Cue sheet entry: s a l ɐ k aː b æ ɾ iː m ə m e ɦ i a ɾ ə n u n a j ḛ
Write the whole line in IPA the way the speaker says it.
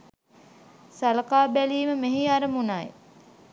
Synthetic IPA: s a l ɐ k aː b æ l iː m ə m e ɦ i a ɾ ə m u n a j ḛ